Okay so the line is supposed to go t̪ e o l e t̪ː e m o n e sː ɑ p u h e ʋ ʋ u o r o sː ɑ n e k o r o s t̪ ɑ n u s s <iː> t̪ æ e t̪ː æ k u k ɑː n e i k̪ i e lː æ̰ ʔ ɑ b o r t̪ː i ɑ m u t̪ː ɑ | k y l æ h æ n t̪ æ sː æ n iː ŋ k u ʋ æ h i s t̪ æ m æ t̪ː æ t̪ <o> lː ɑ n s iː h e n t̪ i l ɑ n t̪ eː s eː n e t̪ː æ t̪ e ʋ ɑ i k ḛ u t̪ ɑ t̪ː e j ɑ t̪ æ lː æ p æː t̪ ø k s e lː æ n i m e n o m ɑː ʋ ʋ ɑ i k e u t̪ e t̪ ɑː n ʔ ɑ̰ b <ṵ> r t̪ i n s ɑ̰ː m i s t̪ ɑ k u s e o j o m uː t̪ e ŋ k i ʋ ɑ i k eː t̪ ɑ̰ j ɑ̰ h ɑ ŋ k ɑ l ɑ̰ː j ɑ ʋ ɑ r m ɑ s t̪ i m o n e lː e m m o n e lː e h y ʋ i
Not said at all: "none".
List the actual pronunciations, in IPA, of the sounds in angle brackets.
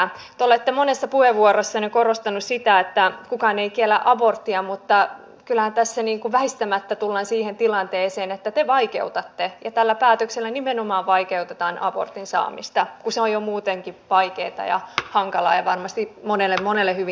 i, u, o̰

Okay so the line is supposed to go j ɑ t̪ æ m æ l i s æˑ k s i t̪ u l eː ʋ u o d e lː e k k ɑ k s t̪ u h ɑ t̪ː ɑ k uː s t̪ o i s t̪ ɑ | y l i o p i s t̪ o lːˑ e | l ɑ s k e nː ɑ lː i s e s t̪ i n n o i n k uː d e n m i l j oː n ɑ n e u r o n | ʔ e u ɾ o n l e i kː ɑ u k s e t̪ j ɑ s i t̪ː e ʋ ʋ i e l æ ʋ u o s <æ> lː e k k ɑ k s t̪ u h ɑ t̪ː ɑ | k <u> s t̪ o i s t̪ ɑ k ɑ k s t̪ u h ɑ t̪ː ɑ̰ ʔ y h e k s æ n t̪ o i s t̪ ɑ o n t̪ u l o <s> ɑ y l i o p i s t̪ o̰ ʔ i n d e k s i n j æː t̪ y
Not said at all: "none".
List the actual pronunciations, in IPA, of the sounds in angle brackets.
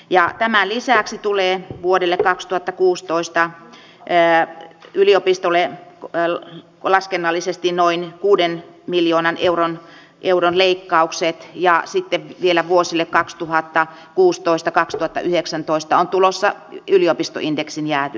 i, uː, sː

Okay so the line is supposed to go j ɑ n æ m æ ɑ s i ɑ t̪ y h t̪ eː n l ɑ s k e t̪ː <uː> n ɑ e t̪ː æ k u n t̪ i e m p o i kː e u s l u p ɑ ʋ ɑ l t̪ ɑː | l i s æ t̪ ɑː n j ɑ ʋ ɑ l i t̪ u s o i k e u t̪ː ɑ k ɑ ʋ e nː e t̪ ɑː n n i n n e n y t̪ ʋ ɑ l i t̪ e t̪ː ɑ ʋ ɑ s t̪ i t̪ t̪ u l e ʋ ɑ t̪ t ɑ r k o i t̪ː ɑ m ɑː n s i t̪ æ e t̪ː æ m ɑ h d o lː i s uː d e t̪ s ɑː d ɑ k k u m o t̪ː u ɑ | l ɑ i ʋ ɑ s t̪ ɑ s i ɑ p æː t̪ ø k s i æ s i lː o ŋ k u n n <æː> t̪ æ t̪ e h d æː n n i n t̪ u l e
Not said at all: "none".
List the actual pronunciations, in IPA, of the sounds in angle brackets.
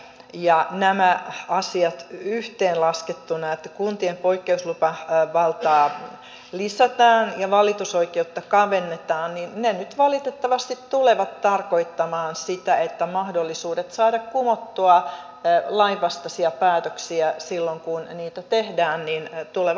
u, iː

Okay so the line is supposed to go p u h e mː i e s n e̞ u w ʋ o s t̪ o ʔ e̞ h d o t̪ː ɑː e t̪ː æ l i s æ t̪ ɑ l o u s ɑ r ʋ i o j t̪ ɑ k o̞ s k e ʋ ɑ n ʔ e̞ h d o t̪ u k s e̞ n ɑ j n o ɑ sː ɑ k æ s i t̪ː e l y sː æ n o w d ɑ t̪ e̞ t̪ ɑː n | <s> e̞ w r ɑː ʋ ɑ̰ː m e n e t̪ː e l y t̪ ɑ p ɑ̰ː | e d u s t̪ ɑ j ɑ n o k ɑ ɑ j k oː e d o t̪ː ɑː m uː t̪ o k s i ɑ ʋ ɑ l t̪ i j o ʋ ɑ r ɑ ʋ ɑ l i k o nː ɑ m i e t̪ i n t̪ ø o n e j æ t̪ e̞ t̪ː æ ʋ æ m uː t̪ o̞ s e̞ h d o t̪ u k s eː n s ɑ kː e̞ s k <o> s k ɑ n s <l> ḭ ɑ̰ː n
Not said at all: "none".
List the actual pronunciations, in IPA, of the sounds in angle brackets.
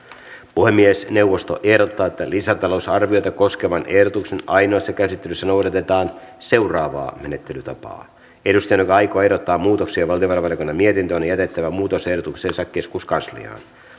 s, u, l

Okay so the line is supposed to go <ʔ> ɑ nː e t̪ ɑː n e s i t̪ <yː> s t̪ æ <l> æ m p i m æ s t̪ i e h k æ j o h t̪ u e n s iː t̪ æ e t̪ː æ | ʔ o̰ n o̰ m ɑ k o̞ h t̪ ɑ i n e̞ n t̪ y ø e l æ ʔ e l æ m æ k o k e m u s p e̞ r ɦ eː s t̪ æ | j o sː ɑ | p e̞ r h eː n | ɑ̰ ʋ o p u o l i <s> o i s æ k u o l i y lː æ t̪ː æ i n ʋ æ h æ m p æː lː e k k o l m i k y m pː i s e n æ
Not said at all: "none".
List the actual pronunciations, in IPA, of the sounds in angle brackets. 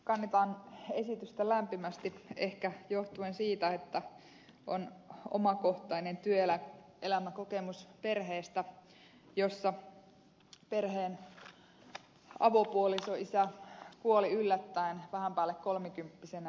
k, y, l, s

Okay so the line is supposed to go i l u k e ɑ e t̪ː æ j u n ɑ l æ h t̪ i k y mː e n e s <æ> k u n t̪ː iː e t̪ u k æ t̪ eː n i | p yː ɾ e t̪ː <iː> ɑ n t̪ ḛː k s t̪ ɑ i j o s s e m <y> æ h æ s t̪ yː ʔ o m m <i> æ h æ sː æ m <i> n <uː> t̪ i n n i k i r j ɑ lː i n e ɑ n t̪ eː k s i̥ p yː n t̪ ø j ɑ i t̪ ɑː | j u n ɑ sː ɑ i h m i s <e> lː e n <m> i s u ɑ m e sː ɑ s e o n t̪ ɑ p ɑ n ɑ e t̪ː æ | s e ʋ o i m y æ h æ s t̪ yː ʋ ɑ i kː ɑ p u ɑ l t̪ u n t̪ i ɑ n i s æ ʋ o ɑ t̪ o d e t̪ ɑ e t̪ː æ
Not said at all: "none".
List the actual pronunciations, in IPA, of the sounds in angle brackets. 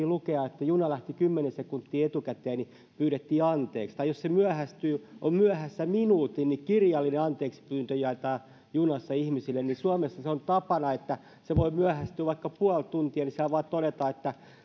e, iː, y, y, i, uː, i, n

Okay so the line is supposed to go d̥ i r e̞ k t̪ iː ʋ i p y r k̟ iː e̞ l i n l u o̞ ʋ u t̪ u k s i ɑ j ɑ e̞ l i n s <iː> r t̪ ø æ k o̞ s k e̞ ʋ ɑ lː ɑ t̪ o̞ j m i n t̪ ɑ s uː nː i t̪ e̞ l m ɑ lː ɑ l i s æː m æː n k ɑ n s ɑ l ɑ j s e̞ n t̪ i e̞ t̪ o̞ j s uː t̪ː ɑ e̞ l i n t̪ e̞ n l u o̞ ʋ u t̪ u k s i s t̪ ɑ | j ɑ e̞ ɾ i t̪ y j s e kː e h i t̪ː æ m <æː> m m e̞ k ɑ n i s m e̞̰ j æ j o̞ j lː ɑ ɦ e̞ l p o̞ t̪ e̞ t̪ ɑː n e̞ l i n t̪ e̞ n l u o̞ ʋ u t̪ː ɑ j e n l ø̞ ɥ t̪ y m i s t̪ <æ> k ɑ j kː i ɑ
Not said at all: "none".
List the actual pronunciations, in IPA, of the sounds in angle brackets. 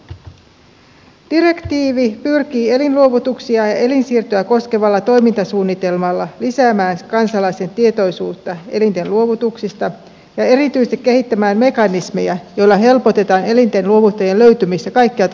iː, æː, æ

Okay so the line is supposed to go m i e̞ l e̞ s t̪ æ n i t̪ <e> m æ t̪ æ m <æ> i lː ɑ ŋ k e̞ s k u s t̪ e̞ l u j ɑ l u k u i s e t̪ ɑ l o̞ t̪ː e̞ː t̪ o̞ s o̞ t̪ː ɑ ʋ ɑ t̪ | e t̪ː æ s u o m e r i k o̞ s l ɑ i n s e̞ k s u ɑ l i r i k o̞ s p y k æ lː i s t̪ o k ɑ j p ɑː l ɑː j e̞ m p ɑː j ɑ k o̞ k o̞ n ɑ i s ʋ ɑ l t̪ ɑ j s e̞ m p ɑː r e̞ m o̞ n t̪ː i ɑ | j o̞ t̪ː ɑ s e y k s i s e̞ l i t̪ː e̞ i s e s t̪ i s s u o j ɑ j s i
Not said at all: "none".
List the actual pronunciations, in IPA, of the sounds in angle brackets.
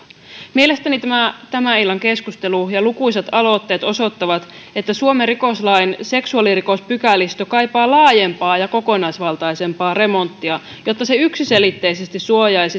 æ, æ

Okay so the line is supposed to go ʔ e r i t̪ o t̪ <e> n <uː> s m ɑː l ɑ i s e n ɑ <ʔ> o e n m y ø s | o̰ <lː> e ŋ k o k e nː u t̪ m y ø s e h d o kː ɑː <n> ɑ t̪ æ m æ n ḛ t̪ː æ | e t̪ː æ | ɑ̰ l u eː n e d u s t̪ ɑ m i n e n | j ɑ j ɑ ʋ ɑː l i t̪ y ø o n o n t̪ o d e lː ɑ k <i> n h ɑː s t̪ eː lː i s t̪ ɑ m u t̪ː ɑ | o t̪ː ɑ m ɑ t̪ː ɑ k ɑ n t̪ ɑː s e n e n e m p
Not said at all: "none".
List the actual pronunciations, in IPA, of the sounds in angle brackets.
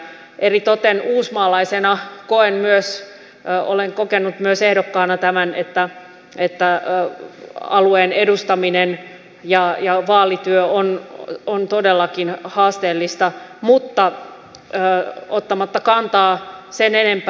e, uː, k, l, n, i

